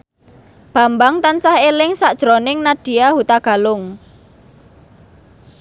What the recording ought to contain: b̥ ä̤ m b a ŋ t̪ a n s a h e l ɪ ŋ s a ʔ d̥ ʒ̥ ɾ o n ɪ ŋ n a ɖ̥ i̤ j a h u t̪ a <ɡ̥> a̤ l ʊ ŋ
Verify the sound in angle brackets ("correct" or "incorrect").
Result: correct